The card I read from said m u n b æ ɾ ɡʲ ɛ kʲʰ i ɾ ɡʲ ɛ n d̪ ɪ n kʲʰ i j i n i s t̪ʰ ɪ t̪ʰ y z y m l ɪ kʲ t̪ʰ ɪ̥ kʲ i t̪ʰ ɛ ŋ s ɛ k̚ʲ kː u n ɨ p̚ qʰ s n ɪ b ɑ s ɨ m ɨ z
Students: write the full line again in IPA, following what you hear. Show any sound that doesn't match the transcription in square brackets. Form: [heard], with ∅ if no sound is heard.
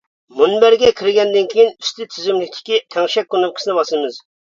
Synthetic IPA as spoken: m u n b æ ɾ ɡʲ ɛ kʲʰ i ɾ ɡʲ ɛ n d̪ ɪ n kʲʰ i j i n [y] s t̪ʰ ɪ t̪ʰ y z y m l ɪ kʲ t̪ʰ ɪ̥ kʲ i t̪ʰ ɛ ŋ [ʃ] ɛ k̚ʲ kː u n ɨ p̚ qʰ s n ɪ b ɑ s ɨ m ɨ z